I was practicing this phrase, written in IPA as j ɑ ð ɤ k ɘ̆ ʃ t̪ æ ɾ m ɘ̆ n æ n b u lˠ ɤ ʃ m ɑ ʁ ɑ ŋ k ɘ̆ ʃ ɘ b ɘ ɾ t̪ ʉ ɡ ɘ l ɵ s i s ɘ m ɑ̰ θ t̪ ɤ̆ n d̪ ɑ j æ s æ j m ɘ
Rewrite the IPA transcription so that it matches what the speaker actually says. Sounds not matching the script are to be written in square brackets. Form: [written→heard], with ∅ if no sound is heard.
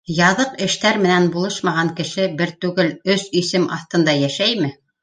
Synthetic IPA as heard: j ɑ ð ɤ [k→q] ɘ̆ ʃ t̪ æ ɾ m ɘ̆ n æ n b u lˠ ɤ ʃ m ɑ ʁ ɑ ŋ k ɘ̆ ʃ ɘ b ɘ ɾ t̪ ʉ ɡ ɘ l ɵ s i s ɘ m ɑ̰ θ t̪ ɤ̆ n d̪ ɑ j æ [s→ʃ] æ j m ɘ